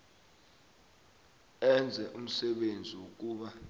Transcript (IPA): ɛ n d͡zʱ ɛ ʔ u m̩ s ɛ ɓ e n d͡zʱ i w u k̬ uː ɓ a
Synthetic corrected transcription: ɛ n d͡zʱ ɛ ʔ u m̩ s ɛ ɓ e n d͡zʱ i w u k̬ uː ɓ a